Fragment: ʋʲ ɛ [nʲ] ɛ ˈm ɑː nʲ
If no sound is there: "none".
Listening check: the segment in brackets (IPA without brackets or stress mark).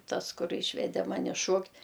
dʲ